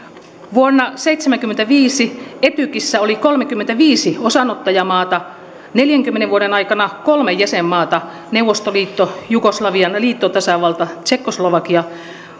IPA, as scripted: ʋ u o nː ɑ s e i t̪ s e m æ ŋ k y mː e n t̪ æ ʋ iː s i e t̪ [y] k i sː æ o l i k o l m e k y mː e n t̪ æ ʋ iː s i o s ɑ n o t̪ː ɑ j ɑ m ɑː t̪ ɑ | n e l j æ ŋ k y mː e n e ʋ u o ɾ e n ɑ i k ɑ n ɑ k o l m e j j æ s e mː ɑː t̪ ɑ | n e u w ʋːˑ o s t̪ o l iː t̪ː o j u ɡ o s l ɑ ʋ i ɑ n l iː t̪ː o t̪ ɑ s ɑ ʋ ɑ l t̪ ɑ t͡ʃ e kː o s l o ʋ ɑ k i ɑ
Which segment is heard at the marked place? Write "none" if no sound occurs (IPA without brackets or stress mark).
y